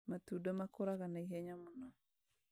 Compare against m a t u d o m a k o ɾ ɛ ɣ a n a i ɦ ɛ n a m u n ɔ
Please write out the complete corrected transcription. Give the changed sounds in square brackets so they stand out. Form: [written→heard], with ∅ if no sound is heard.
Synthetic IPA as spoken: m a t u d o m a k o ɾ [ɛ→a] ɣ a n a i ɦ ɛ [n→ɲ] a m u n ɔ